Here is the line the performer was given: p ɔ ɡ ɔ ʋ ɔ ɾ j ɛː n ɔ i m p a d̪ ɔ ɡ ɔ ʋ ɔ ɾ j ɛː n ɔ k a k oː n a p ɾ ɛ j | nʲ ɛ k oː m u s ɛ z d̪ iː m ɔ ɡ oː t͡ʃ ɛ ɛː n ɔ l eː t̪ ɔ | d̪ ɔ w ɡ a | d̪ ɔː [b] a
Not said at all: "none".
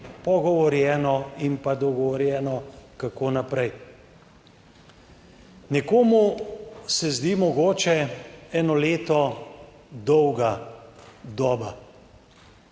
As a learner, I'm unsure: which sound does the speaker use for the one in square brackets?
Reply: b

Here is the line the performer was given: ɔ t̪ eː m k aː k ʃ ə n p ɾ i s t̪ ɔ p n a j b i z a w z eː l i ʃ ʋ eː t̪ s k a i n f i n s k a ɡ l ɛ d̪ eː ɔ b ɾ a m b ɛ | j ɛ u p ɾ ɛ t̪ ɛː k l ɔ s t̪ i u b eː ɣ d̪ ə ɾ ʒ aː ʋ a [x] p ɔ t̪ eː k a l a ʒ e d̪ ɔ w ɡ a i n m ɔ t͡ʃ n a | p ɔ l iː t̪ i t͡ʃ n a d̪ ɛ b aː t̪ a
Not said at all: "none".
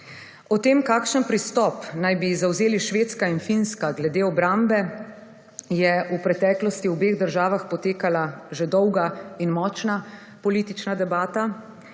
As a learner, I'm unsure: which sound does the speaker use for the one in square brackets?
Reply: x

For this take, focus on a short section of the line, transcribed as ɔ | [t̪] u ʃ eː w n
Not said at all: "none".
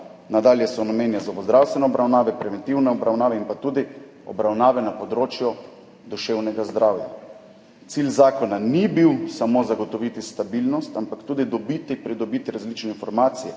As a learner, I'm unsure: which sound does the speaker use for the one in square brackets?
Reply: d̪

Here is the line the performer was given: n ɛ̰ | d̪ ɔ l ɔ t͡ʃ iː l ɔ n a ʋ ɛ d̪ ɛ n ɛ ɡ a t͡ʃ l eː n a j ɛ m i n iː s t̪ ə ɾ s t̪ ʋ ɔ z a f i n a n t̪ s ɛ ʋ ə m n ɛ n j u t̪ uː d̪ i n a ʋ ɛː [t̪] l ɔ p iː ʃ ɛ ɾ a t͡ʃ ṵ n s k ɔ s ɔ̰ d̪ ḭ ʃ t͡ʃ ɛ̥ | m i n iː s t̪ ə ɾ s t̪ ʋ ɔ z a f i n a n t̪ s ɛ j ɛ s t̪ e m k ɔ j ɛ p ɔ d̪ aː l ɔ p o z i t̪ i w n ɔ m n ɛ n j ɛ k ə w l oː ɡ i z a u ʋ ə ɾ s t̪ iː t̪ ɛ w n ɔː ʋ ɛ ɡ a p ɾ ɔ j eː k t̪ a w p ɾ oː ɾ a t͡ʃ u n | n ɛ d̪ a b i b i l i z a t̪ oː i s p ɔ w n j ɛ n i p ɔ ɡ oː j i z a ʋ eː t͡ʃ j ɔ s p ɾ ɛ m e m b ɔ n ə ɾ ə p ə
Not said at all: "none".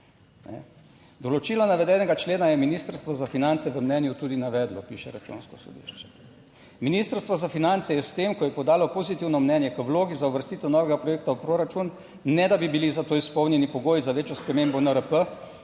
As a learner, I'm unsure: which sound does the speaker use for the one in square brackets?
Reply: d̪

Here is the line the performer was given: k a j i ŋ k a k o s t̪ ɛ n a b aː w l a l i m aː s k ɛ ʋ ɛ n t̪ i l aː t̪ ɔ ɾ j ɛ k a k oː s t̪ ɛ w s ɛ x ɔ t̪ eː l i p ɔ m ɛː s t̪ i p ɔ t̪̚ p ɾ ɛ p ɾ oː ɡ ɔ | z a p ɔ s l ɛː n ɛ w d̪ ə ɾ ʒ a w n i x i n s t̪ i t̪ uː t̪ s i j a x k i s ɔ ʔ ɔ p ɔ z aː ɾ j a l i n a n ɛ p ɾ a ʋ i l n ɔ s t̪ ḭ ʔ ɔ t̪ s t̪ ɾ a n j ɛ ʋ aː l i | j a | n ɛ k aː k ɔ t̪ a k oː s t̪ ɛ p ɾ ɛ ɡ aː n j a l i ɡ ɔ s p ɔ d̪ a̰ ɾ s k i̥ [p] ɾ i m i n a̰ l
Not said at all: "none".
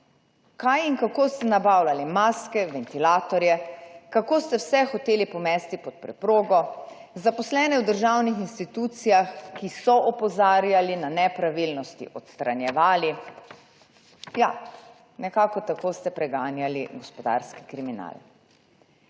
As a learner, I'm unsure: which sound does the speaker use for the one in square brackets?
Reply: k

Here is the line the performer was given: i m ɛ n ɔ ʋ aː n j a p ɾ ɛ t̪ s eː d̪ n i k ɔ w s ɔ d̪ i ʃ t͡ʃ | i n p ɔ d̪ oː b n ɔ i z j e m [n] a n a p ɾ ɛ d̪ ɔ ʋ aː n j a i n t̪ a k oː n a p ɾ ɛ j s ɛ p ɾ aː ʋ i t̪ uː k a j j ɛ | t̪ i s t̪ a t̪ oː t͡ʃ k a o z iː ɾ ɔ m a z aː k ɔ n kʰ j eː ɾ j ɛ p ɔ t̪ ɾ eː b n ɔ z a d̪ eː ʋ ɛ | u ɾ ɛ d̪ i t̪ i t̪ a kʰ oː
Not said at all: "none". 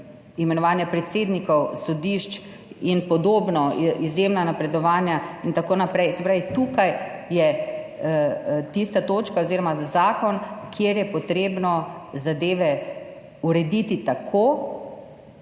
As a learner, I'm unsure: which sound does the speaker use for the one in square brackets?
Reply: n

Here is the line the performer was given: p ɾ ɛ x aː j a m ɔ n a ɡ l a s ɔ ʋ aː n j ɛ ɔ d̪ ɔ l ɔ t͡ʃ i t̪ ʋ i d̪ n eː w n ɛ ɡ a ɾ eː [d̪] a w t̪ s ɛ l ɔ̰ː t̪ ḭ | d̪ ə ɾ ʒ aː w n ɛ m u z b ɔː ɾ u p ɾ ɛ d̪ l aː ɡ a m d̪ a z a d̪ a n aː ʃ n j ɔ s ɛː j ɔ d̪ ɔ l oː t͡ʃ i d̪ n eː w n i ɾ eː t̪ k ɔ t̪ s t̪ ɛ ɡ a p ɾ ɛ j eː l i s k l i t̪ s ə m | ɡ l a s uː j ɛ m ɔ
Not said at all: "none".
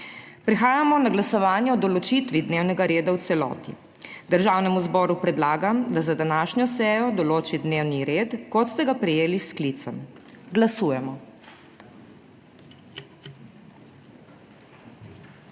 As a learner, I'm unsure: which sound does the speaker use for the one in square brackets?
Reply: d̪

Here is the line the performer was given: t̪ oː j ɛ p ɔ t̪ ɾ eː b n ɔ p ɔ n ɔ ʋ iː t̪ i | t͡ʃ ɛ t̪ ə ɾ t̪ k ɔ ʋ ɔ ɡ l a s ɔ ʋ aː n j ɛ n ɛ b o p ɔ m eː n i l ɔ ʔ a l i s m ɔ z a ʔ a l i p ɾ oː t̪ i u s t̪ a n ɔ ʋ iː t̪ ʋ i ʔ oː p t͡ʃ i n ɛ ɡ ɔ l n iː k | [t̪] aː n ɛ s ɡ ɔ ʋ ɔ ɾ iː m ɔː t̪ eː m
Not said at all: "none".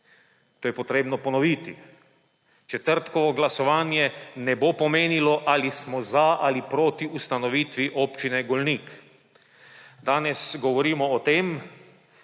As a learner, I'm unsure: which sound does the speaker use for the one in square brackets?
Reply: d̪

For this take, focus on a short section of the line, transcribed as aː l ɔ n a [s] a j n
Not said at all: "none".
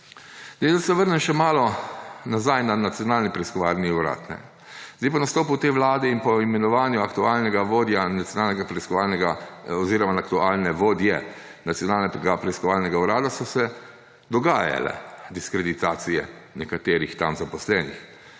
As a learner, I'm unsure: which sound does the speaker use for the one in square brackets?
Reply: z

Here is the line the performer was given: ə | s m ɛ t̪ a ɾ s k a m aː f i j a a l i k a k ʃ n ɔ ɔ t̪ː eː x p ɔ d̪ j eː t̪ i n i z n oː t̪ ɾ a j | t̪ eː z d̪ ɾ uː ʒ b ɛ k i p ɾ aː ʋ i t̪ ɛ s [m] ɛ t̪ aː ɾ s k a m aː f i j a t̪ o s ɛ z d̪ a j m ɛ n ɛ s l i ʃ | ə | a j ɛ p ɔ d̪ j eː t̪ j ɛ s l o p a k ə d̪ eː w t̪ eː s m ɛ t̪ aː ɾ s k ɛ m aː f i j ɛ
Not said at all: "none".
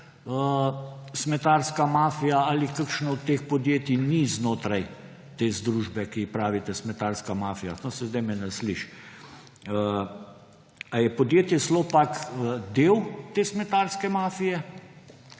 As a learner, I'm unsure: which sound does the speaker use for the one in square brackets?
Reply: m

